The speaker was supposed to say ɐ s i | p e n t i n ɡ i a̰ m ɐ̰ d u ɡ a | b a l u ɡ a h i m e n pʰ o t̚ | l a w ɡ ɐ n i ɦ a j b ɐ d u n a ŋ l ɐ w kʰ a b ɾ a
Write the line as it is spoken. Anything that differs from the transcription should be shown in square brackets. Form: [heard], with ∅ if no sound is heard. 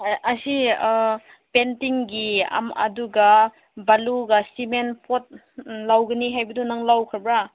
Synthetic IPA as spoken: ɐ s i | p e n t i [ŋ] ɡ i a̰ m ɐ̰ d u ɡ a | b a l u ɡ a [s] i m e n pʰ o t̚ | l a w ɡ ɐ n i ɦ a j b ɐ d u n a ŋ l [a] w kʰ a b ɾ a